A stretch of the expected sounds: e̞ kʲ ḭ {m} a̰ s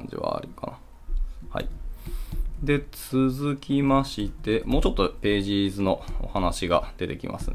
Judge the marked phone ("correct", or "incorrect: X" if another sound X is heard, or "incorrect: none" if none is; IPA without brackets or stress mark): correct